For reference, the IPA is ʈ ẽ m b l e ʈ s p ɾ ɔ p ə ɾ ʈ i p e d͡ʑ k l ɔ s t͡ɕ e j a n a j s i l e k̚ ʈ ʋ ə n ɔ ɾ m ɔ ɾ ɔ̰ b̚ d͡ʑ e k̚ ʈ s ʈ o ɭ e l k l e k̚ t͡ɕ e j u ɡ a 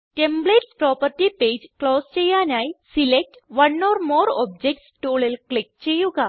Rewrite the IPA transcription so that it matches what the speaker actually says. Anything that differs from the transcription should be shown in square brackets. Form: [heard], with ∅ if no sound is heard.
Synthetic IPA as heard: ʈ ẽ m b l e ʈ s p ɾ ɔ p ə ɾ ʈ i p e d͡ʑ k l ɔ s t͡ɕ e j a n a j s i l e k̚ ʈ ʋ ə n ɔ ɾ m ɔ ɾ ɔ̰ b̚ d͡ʑ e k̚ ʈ s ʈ o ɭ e l k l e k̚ t͡ɕ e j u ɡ a